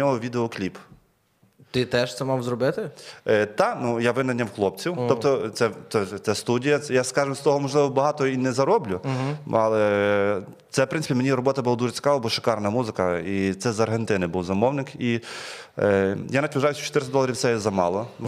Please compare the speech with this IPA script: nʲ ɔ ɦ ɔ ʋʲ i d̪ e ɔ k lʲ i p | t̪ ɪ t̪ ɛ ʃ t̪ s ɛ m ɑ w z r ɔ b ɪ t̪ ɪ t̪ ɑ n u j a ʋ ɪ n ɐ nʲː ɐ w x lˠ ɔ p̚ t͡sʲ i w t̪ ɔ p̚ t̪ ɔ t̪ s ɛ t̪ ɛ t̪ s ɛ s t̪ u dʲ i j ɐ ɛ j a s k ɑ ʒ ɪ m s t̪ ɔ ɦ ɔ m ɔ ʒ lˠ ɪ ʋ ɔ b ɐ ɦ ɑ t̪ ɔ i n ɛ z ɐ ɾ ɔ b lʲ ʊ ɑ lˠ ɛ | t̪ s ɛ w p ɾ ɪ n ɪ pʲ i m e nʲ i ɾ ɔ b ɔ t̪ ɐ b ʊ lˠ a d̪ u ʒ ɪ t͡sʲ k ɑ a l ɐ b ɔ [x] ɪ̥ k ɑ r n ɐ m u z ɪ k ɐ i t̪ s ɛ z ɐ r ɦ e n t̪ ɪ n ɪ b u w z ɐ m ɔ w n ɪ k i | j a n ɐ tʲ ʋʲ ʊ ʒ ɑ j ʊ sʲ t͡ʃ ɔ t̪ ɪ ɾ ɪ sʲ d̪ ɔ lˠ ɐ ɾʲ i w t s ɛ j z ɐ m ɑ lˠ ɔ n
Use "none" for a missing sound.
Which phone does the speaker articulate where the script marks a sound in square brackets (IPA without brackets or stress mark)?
ʃ